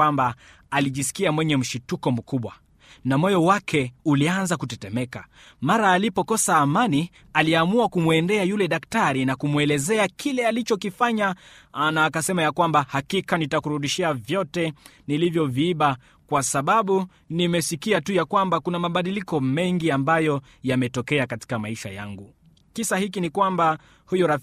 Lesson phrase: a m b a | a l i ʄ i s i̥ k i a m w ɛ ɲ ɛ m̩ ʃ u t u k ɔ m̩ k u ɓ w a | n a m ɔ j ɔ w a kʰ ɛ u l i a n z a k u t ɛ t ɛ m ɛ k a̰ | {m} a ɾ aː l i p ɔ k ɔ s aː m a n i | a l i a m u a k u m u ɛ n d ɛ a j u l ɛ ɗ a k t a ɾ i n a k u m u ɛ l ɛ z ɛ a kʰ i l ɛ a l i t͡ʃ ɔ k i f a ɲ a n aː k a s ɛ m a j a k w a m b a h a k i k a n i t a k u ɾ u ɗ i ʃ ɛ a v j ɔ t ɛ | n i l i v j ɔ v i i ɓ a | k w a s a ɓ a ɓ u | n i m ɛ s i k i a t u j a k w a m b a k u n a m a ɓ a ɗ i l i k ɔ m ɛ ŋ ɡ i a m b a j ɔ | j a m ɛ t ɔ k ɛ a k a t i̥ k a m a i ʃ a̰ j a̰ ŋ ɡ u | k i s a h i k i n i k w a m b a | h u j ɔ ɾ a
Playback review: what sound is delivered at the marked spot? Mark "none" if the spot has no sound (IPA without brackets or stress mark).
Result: m